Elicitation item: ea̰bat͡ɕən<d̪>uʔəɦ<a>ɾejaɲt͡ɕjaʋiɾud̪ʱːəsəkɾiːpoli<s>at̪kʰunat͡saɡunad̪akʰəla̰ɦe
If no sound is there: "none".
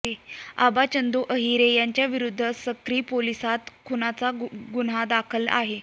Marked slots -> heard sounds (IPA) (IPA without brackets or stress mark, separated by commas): d̪, i, s